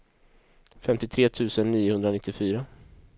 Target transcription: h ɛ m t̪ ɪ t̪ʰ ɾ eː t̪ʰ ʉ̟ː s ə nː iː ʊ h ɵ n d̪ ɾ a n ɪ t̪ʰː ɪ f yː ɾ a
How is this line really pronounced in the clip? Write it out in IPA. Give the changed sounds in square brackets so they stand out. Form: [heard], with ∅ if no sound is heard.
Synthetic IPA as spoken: [f] ɛ m t̪ ɪ t̪ʰ ɾ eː t̪ʰ ʉ̟ː s ə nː iː ʊ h ɵ n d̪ ɾ a n ɪ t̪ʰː ɪ f yː ɾ a